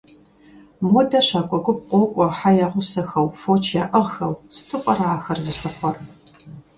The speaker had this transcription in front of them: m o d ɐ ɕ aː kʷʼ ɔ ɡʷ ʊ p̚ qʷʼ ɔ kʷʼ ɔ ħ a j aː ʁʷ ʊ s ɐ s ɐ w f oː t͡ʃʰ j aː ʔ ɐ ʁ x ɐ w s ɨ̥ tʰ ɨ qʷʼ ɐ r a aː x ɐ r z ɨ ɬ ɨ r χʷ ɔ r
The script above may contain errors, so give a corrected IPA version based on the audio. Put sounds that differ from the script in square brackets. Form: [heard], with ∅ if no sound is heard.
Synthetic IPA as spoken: m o d ɐ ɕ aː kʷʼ ɔ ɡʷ ʊ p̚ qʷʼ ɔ kʷʼ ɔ ħ a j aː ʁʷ ʊ s ɐ [x] ɐ w f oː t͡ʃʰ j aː ʔ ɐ ʁ x ɐ w s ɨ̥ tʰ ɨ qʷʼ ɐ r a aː x ɐ r z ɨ ɬ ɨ [∅] χʷ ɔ r